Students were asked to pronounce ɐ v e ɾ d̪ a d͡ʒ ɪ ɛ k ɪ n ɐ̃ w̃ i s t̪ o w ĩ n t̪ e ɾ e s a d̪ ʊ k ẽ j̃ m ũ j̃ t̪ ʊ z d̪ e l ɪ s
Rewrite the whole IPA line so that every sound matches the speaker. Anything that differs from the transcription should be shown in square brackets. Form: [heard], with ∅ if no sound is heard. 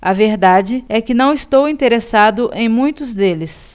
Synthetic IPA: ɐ v e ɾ d̪ a d͡ʒ ɪ ɛ k ɪ n ɐ̃ w̃ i s t̪ o w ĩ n t̪ e ɾ e s a d̪ ʊ [ʔ] ẽ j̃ m ũ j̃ t̪ ʊ z d̪ e l ɪ s

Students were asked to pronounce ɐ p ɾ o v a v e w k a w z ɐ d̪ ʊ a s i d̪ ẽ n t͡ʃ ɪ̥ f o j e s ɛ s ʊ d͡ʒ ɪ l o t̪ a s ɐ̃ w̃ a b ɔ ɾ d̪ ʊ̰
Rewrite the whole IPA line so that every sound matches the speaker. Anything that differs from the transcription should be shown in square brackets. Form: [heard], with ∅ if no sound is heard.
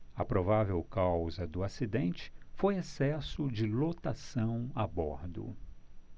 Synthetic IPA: ɐ p ɾ o v a v e w k a w z ɐ d̪ ʊ a s i d̪ ẽ n t͡ʃ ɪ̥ f o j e s ɛ s ʊ d͡ʒ ɪ l o t̪ a s ɐ̃ w̃ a b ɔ ɾ d̪ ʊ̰

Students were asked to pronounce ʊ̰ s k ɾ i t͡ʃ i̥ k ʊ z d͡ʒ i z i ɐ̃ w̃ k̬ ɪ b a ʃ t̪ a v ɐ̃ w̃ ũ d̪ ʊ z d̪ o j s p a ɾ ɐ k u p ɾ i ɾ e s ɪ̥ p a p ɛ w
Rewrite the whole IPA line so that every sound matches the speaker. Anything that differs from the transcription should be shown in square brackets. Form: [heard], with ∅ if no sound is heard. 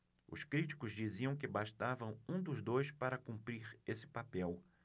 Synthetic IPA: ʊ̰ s k ɾ i t͡ʃ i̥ k ʊ z d͡ʒ i z i ɐ̃ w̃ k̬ ɪ b a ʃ t̪ a v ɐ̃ w̃ ũ d̪ ʊ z d̪ o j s p a ɾ ɐ k [ũ] p ɾ i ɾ e s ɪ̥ p a p ɛ w

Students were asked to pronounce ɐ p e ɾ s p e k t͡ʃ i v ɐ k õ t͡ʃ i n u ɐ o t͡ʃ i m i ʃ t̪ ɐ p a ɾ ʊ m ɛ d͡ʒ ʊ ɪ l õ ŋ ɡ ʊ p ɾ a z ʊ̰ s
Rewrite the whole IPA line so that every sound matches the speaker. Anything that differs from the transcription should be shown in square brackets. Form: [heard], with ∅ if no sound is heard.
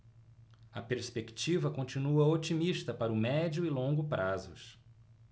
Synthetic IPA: ɐ p e ɾ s p e k t͡ʃ i v ɐ k õ t͡ʃ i n u ɐ o t͡ʃ i m i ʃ t̪ ɐ p a ɾ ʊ m ɛ d͡ʒ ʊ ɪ l õ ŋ ɡ ʊ p ɾ a z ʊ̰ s

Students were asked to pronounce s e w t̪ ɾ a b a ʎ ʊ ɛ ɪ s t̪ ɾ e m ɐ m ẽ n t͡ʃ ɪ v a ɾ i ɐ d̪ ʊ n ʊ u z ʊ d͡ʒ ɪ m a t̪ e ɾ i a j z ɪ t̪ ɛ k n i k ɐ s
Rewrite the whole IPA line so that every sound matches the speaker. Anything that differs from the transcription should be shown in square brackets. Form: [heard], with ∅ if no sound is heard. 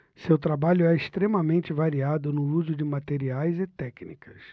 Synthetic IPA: s e w t̪ ɾ a b a ʎ ʊ ɛ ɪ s t̪ ɾ e m ɐ m ẽ n t͡ʃ ɪ v a ɾ i [a] d̪ ʊ n ʊ u z ʊ d͡ʒ ɪ m a t̪ e ɾ i a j z ɪ t̪ ɛ k n i k ɐ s

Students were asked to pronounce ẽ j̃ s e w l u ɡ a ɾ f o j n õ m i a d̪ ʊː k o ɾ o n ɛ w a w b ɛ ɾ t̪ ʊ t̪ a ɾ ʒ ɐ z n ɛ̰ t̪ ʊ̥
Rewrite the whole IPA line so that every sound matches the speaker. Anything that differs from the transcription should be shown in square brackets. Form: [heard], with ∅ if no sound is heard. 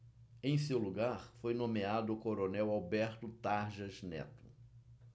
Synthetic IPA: ẽ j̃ s e w l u ɡ a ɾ f o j n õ m [e] a d̪ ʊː k o ɾ o n ɛ w a w b ɛ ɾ t̪ ʊ t̪ a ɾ ʒ ɐ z n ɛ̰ t̪ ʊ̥

